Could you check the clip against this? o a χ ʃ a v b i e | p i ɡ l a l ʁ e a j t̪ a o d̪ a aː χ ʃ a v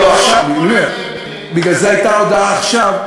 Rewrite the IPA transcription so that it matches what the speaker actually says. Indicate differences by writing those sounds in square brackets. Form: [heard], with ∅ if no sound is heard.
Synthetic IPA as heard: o a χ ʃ a v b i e | [b] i ɡ l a l [z] e a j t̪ a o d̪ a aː χ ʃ a v